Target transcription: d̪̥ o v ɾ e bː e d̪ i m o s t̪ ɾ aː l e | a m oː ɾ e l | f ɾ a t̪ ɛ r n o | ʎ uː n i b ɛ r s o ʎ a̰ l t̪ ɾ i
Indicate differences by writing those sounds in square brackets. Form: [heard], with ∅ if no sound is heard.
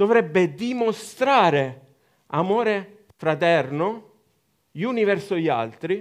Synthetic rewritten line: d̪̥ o v ɾ [ɛ] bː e d̪ i m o s t̪ ɾ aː [ɾ] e | a m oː ɾ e [∅] | f ɾ a t̪ ɛ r n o | ʎ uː n i [v] ɛ r s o ʎ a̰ l t̪ ɾ i